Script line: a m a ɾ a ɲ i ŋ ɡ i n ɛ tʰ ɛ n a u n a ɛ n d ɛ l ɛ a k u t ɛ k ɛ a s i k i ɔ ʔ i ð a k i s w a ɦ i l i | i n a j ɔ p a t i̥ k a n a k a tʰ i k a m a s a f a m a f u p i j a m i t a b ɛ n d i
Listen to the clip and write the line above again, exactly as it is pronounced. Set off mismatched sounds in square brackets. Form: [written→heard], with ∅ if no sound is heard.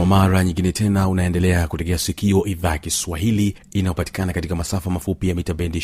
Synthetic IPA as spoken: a m a ɾ a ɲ i ŋ ɡ i n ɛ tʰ ɛ n a u n a ɛ n d ɛ l ɛ a k u t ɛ k ɛ a s i k i ɔ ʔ i ð a k i s w a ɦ i l i | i n a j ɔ p a t i̥ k a n a k a [tʰ→t] i k a m a s a f a m a f u p i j a m i t a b ɛ n d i